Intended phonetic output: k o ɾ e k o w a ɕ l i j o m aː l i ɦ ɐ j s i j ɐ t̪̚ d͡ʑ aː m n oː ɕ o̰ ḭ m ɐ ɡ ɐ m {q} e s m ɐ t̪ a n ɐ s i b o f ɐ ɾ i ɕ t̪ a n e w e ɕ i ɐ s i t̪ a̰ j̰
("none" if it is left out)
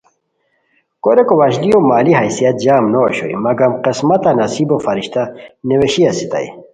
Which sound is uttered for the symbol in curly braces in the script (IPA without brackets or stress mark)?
q